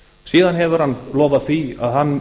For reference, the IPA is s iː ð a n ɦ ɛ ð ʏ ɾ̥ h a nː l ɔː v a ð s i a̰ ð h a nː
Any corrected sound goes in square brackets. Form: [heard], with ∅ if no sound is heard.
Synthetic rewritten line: s iː ð a n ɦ ɛ [v] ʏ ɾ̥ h a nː l ɔː v a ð [θ] i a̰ ð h a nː